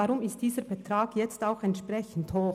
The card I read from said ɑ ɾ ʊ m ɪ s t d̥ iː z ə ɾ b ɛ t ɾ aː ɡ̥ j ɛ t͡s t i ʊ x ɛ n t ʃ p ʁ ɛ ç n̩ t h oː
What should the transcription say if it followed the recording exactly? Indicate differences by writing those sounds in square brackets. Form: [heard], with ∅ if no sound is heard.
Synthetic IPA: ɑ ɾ ʊ m ɪ s t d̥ iː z ə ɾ b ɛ t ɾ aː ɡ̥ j ɛ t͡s t [a] ʊ x ɛ n t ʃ p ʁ ɛ ç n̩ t h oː